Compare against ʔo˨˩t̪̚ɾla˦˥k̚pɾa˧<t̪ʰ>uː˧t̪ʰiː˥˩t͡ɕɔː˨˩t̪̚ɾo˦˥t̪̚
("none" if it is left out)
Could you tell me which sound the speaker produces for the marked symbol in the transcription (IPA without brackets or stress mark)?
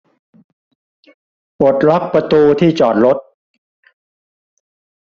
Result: t̪